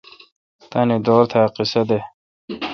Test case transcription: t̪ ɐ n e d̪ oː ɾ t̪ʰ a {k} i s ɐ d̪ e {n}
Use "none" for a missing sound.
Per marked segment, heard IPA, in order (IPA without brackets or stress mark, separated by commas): q, none